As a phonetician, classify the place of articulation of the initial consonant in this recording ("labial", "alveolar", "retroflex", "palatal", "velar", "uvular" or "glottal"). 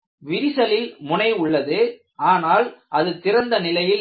labial